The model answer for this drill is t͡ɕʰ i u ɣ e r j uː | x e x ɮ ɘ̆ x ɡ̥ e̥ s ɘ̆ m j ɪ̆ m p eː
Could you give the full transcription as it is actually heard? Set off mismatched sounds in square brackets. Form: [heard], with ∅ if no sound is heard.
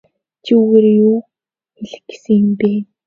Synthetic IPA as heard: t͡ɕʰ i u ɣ e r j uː | x e [∅] ɮ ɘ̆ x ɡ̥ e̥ s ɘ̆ [ŋ] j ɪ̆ m p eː